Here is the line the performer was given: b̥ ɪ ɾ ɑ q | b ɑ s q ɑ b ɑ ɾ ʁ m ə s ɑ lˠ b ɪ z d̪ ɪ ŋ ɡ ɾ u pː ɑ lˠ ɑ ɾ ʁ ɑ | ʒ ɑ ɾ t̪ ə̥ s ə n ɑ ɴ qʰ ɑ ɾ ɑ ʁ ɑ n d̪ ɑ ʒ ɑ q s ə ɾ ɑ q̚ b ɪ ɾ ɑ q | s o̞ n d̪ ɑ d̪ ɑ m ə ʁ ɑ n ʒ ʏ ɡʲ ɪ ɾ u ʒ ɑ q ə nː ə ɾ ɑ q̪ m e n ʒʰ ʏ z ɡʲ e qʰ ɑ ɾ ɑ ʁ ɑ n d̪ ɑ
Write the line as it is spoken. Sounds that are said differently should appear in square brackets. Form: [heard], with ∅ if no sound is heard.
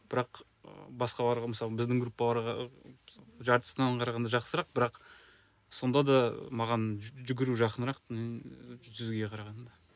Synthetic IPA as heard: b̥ ɪ ɾ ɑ q | b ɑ s q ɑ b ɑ ɾ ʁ m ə s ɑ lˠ b ɪ z d̪ ɪ ŋ ɡ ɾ u pː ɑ lˠ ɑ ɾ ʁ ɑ | ʒ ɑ ɾ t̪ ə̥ s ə n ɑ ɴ qʰ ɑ ɾ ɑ ʁ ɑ n d̪ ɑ ʒ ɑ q s ə ɾ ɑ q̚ b ɪ ɾ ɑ q | s o̞ n d̪ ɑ d̪ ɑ m [ɑ] ʁ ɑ n ʒ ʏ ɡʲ ɪ ɾ u ʒ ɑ q ə [n] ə ɾ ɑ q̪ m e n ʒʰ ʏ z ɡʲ e qʰ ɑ ɾ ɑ ʁ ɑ n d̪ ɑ